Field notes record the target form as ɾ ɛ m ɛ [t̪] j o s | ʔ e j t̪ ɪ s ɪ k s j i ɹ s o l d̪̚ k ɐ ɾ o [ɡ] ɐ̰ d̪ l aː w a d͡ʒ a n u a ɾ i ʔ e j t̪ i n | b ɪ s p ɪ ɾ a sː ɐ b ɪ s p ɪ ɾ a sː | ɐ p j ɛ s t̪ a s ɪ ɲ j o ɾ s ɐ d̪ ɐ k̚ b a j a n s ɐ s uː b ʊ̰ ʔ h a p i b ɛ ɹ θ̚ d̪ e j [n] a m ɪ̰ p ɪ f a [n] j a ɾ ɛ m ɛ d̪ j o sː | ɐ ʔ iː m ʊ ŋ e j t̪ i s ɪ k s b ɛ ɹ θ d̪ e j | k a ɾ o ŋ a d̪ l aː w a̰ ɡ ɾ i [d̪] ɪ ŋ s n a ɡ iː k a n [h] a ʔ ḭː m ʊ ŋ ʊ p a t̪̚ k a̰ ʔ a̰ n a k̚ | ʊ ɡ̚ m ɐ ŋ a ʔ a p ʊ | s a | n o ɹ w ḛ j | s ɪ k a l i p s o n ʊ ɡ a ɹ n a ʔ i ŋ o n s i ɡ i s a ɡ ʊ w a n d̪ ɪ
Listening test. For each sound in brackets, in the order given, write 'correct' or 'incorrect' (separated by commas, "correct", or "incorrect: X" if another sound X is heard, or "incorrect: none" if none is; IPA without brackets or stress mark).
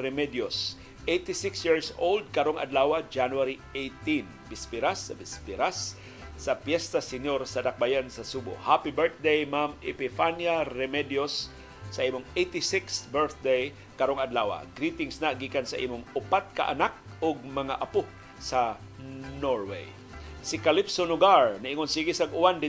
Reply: incorrect: d̪, incorrect: ŋ, incorrect: m, correct, incorrect: t̪, incorrect: s